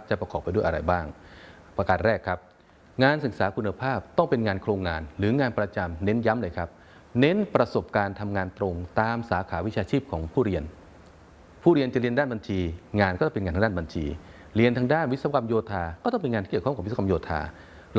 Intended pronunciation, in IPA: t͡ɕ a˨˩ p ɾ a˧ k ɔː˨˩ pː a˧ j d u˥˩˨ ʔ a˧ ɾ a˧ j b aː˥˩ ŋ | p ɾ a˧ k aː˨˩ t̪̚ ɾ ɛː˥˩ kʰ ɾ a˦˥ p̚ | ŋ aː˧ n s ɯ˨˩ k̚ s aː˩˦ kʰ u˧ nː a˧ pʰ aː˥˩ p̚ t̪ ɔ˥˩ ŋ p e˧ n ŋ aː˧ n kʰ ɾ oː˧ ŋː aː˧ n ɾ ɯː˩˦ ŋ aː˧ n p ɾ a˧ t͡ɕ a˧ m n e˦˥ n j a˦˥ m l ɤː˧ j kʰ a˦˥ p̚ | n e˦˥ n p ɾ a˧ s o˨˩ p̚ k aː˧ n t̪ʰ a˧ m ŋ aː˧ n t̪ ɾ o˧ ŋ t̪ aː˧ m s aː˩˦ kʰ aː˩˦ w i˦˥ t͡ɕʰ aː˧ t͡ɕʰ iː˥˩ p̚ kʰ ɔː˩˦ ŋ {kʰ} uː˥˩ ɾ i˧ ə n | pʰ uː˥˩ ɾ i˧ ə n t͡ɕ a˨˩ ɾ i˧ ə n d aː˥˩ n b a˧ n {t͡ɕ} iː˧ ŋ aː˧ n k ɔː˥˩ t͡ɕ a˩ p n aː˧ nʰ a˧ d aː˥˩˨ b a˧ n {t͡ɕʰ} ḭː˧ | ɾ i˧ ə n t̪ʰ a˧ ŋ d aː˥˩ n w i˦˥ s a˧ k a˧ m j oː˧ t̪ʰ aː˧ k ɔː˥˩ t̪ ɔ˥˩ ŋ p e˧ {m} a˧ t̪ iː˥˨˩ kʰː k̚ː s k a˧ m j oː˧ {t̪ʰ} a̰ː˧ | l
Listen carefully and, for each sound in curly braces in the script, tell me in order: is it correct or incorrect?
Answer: incorrect: pʰ, incorrect: t͡ɕʰ, correct, incorrect: n, correct

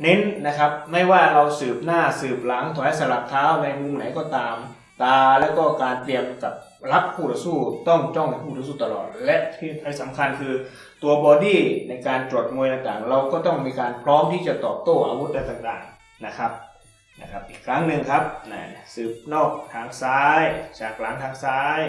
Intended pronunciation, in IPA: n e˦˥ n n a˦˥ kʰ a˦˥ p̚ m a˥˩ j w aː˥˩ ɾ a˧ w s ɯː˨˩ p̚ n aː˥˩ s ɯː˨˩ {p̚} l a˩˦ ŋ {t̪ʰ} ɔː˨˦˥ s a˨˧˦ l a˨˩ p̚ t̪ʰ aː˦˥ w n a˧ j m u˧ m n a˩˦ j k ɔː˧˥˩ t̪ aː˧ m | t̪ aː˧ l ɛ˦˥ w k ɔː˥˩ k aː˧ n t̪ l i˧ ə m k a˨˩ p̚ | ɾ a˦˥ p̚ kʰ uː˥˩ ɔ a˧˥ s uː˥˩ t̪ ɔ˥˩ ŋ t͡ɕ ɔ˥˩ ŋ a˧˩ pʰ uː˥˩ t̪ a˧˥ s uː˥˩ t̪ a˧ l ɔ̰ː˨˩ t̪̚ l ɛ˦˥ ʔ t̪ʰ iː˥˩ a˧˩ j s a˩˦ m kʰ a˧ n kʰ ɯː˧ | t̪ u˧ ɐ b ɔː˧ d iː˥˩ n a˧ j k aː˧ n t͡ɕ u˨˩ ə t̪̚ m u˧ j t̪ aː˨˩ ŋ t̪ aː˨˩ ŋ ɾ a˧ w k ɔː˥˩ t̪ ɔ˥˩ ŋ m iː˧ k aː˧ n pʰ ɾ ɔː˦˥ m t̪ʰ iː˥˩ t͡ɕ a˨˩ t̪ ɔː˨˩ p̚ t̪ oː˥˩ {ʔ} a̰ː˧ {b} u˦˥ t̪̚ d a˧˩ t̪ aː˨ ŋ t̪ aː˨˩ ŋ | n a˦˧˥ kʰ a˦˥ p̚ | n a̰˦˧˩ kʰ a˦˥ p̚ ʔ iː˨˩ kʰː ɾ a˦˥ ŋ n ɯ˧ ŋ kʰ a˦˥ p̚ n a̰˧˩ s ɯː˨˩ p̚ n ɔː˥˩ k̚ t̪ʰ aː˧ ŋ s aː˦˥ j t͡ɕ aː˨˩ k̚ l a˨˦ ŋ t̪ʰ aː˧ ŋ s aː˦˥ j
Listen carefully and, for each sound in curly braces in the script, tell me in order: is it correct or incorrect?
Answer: correct, correct, correct, incorrect: w

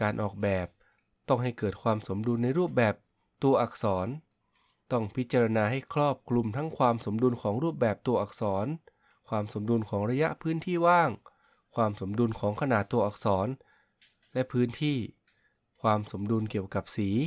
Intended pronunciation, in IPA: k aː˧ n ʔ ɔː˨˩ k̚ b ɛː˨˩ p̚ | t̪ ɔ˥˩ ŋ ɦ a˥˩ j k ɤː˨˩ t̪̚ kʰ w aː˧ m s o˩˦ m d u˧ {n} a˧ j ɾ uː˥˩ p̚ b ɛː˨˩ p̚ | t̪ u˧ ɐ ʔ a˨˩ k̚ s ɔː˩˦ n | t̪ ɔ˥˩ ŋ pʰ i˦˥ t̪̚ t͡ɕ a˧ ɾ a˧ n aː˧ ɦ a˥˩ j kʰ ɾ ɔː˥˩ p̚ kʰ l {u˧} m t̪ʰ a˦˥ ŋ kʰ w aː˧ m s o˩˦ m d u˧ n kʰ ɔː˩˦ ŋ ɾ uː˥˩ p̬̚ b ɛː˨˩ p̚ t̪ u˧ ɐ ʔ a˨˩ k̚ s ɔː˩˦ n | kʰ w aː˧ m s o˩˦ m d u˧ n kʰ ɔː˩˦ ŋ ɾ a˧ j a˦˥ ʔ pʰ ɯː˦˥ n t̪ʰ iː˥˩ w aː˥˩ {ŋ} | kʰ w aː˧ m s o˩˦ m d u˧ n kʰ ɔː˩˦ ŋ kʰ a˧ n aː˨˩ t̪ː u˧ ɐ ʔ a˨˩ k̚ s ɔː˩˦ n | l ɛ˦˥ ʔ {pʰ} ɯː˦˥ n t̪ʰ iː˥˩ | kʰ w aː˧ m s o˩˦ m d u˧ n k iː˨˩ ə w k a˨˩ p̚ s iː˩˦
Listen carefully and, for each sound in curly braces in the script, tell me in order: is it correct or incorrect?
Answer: incorrect: nː, correct, correct, correct

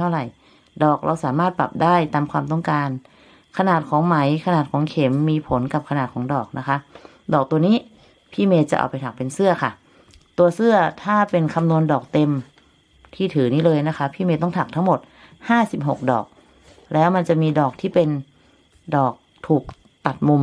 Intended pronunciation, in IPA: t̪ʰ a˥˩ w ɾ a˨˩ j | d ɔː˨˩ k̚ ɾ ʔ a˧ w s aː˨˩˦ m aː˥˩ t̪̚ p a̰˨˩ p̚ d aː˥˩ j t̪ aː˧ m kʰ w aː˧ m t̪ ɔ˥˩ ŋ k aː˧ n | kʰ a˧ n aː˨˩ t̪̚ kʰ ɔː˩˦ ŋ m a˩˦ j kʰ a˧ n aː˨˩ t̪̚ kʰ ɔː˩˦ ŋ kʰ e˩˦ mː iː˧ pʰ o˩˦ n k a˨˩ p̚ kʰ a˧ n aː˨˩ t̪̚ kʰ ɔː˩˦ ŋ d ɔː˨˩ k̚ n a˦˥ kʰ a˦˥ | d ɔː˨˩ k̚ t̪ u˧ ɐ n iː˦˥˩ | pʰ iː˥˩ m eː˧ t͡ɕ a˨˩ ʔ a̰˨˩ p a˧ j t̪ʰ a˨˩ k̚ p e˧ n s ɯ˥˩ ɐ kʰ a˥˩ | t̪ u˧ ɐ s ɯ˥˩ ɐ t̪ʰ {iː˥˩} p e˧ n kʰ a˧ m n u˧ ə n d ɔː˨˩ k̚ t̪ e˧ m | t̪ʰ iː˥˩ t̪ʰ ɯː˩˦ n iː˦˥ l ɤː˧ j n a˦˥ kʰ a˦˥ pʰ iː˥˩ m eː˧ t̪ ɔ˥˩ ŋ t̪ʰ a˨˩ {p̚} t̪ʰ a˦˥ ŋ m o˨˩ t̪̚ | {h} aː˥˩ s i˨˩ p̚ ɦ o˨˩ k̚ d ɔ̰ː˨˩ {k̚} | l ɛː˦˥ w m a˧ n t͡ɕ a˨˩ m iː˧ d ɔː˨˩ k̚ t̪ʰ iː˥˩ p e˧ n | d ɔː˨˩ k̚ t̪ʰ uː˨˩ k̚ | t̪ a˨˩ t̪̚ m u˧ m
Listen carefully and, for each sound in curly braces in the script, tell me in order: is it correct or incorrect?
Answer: incorrect: aː˥˩, incorrect: k̚, correct, correct

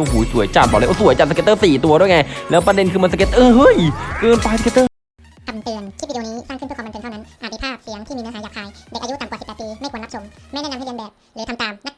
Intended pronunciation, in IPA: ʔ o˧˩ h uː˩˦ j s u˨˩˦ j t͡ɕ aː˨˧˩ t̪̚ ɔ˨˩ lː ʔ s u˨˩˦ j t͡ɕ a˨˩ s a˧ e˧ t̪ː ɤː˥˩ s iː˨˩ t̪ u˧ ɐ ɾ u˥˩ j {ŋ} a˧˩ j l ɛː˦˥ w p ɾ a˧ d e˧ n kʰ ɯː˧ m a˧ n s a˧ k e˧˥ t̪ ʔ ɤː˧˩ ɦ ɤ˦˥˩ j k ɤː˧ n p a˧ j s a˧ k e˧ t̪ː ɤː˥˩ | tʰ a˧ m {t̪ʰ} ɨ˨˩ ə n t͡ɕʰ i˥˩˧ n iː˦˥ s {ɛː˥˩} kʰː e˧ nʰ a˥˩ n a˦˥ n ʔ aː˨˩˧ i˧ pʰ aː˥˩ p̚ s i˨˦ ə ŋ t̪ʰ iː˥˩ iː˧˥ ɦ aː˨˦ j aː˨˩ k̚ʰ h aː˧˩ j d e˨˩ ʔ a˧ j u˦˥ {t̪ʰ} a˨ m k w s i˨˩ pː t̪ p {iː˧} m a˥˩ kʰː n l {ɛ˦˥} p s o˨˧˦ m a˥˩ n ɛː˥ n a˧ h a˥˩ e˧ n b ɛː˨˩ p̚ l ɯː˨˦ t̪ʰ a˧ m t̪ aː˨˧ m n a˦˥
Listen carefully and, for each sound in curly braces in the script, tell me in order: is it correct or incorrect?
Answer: correct, incorrect: t̪, incorrect: aː˥˩, incorrect: t̪, correct, incorrect: a˦˥

